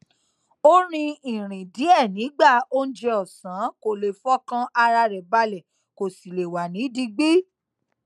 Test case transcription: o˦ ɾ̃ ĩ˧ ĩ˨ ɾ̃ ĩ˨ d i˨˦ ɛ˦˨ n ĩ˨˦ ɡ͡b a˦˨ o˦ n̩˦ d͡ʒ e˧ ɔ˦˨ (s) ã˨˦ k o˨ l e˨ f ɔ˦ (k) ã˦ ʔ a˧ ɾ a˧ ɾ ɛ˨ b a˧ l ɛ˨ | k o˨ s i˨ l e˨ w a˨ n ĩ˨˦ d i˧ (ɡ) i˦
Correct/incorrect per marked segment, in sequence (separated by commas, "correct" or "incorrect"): correct, correct, incorrect